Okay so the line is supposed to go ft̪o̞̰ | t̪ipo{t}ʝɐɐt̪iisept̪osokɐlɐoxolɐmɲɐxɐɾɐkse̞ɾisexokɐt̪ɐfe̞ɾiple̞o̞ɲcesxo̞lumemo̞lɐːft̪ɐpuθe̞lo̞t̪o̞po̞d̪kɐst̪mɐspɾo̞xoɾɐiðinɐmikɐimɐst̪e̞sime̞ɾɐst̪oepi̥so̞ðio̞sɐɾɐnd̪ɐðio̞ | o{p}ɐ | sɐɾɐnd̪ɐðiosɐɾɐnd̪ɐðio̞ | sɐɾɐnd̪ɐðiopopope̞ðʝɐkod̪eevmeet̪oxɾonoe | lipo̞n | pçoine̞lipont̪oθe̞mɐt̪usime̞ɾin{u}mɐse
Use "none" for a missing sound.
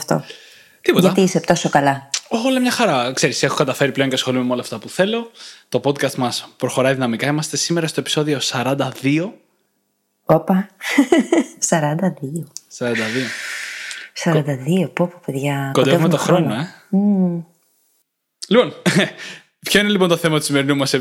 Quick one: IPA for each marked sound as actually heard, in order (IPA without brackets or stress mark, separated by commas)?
t, p, u